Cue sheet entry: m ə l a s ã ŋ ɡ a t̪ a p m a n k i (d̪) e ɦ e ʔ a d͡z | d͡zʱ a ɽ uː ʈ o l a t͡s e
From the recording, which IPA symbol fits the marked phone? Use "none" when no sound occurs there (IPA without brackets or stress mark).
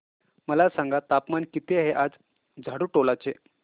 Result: t̪